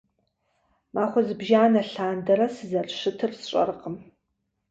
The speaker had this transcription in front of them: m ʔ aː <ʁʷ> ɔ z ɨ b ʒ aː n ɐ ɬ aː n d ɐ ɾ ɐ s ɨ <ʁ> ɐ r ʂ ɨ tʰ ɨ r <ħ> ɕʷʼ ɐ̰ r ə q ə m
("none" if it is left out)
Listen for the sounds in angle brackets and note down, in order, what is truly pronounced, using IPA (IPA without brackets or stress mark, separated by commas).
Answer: χʷ, z, s